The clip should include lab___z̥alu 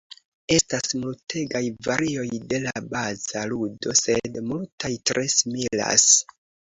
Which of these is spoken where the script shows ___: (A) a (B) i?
A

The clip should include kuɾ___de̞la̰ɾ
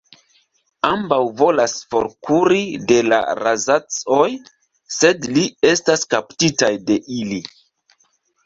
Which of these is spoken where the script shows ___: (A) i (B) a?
A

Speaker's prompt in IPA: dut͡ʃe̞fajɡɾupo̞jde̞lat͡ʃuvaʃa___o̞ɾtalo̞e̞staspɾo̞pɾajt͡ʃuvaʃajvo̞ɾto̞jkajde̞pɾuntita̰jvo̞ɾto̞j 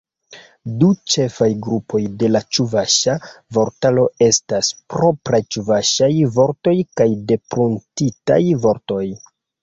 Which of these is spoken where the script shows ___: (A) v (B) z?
A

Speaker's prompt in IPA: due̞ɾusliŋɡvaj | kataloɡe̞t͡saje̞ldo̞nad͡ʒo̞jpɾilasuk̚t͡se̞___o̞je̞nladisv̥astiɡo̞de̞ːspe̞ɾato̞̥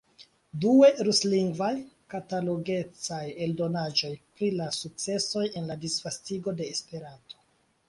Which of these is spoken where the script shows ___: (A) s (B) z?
A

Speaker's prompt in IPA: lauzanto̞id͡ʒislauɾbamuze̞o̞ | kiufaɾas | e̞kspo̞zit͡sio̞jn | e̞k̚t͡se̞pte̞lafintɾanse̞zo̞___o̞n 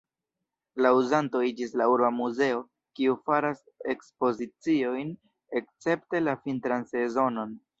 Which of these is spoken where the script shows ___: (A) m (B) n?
B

